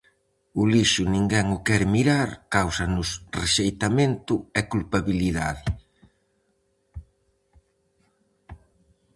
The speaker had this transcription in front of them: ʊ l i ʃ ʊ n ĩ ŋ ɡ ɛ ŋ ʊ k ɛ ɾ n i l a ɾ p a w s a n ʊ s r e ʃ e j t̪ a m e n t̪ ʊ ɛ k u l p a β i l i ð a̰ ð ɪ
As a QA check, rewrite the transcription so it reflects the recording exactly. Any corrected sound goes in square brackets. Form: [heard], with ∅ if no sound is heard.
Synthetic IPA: ʊ l i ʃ ʊ n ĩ ŋ ɡ ɛ ŋ ʊ k ɛ ɾ [m] i [ɾ] a ɾ [k] a w s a n ʊ s r e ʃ e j t̪ a m e n t̪ ʊ ɛ k u l p a β i l i ð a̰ ð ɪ